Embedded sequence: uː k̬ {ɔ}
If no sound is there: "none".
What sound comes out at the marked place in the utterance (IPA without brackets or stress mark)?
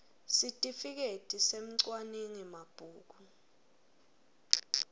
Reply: u